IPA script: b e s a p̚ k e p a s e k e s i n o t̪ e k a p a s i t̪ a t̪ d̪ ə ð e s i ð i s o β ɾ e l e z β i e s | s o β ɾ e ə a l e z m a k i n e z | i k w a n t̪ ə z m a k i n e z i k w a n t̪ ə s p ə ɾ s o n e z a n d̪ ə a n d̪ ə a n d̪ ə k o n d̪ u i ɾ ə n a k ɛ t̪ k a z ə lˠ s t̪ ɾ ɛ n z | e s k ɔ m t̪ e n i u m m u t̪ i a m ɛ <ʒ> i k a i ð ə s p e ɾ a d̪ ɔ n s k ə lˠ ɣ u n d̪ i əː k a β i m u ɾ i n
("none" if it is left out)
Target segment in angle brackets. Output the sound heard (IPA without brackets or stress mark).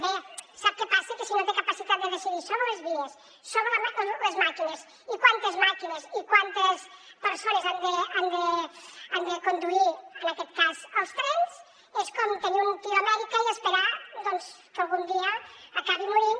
ð